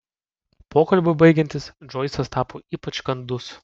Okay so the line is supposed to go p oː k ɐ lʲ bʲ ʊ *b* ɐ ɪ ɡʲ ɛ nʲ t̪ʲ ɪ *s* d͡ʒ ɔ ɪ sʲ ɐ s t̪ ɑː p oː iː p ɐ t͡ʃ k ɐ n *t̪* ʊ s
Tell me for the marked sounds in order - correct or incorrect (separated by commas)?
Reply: correct, correct, incorrect